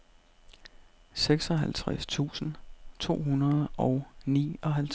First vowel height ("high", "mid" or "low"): mid